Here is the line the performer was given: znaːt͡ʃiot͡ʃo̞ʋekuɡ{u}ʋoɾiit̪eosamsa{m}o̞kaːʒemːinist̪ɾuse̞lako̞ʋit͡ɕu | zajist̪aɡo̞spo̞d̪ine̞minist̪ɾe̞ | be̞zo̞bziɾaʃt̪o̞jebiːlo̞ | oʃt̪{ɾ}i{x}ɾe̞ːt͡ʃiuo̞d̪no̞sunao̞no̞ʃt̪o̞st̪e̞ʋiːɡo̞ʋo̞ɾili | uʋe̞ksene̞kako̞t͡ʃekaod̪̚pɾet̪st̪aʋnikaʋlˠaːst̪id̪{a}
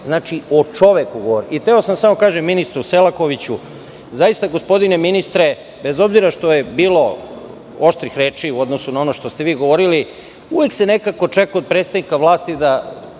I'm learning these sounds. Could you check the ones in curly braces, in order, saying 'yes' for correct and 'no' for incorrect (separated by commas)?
no, yes, yes, yes, yes